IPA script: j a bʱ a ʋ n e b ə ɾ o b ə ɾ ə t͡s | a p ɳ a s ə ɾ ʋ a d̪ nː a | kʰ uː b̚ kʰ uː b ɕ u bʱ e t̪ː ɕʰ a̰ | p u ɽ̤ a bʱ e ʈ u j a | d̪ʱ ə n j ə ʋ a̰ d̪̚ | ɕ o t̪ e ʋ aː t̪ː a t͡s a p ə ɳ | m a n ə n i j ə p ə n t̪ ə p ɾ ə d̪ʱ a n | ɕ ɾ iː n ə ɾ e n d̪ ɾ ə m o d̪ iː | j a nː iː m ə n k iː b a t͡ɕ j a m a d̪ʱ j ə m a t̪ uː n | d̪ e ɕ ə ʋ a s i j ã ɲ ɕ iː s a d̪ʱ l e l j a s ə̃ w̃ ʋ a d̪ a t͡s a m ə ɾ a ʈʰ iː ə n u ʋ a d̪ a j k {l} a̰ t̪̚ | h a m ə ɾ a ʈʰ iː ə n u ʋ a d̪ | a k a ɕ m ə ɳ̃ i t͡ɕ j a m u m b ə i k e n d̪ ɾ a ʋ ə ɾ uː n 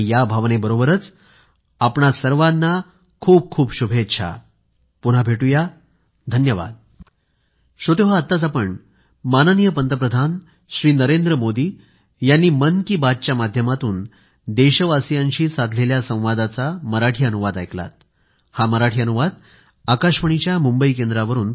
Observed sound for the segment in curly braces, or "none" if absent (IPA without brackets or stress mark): l